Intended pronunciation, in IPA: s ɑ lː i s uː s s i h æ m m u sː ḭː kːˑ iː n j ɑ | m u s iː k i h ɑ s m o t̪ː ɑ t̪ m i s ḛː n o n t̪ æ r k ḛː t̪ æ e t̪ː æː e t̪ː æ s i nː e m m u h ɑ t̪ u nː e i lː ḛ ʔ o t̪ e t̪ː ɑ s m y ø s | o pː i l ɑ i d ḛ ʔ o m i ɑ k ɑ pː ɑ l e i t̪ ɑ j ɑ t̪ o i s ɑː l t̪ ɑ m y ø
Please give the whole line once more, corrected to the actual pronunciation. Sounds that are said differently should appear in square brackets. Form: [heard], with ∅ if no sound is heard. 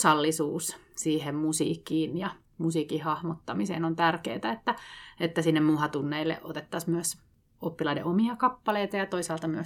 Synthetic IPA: s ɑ lː i s uː s s [iː] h [e] m m u [s] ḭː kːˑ iː n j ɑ | m u s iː k i h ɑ [h] m o t̪ː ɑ [∅] m i s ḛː n o n t̪ æ r k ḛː t̪ æ e t̪ː [æ] e t̪ː æ s i nː e m m u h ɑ t̪ u nː e i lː ḛ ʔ o t̪ e t̪ː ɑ s m y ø s | o pː i l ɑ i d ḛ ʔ o m i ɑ k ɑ pː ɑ l e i t̪ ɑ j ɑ t̪ o i s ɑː l t̪ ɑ m y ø